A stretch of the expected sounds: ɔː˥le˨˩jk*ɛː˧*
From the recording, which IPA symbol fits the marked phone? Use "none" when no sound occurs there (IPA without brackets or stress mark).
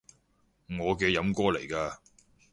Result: aː˧